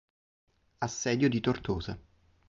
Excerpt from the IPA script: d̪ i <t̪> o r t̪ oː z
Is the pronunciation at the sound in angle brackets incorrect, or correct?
correct